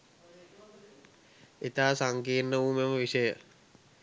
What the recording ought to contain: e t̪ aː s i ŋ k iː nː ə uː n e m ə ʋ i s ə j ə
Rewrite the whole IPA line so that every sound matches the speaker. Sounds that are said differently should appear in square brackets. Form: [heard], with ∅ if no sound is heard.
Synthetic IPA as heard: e t̪ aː s [a] ŋ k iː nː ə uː [m] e m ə ʋ i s ə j ə